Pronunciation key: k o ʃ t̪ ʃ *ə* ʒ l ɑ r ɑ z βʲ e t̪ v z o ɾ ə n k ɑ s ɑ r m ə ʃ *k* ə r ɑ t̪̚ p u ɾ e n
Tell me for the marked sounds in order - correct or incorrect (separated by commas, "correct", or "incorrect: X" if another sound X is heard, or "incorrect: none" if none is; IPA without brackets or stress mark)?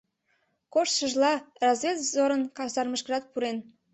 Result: correct, correct